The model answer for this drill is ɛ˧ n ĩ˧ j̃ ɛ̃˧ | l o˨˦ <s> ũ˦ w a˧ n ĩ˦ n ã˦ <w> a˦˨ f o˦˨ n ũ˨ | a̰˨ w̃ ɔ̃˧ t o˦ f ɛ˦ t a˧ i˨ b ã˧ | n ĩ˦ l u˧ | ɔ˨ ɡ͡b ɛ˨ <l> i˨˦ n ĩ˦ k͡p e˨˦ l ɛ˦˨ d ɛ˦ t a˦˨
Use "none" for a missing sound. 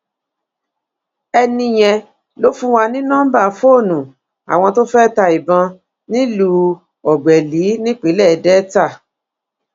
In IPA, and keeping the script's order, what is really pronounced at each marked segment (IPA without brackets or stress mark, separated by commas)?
f, b, l